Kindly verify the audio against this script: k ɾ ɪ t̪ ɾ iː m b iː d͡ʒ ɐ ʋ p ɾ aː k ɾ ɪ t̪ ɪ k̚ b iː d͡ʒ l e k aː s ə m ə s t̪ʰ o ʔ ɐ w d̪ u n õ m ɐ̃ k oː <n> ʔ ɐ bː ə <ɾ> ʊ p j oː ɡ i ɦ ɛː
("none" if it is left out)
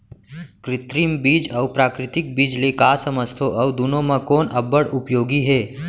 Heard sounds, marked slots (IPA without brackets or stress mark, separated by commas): n, ɽ